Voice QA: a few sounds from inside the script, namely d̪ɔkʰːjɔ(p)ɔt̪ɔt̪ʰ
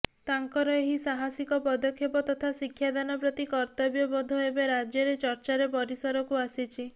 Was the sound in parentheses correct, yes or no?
yes